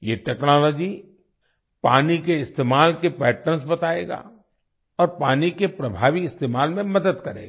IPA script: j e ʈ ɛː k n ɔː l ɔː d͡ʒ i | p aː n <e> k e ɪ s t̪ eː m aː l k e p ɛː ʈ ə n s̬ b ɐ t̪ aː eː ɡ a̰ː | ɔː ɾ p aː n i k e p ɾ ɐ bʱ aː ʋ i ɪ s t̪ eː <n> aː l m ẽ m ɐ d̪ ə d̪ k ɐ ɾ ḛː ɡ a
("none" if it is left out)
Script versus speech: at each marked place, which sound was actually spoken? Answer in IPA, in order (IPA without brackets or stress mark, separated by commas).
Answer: i, m